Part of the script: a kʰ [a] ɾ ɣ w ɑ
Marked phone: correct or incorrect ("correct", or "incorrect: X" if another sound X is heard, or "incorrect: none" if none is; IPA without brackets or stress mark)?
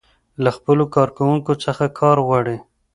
incorrect: ɑ